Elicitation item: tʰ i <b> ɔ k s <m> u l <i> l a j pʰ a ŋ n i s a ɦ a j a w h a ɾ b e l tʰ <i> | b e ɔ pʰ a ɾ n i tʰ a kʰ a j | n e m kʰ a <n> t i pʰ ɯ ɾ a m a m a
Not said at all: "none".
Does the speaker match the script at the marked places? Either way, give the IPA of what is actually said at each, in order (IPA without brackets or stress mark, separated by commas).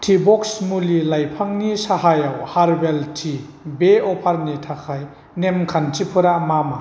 b, m, i, i, n